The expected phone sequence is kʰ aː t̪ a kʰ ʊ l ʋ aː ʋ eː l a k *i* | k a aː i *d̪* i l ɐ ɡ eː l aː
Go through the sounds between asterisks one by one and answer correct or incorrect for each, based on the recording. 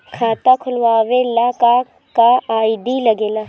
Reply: incorrect, correct

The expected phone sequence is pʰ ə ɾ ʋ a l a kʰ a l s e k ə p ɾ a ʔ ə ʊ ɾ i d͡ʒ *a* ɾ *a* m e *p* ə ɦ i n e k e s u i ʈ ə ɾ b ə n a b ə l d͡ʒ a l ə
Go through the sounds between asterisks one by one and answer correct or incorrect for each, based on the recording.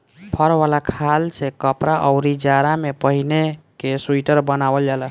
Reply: correct, correct, correct

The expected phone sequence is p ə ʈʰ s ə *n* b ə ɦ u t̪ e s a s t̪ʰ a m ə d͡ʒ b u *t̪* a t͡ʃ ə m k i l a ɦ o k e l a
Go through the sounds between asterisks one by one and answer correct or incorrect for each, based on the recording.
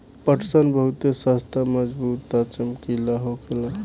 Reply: correct, correct

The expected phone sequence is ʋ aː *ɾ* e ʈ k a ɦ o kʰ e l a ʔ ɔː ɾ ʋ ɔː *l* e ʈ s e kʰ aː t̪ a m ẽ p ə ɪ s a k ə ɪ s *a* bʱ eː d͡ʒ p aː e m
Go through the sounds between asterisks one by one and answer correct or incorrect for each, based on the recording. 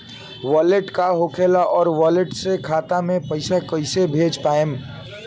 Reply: incorrect, correct, incorrect

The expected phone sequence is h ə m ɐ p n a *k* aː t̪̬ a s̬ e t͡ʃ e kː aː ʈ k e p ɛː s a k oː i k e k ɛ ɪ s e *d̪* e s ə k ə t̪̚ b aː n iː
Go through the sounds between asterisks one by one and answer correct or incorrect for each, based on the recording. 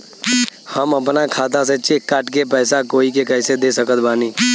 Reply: incorrect, correct

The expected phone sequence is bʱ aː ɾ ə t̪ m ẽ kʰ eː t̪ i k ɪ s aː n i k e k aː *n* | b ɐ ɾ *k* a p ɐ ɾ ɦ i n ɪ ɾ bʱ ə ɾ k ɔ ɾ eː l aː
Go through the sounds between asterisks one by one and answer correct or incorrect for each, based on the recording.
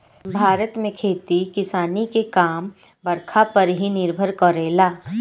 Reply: incorrect, incorrect

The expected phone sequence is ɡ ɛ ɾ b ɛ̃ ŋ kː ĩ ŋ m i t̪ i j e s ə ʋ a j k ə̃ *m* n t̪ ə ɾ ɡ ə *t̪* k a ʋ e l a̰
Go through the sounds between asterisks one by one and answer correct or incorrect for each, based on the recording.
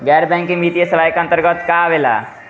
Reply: incorrect, correct

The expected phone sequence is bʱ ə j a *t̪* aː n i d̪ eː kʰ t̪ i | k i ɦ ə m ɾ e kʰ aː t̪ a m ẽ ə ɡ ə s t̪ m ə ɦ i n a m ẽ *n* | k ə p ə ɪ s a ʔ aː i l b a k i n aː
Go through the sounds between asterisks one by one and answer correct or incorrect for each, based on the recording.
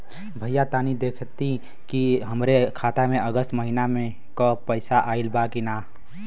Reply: correct, incorrect

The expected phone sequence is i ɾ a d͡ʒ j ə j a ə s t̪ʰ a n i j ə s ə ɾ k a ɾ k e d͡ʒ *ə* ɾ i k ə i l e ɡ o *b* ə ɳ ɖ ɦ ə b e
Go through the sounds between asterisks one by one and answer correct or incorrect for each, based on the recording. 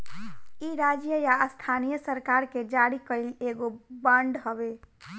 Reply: incorrect, correct

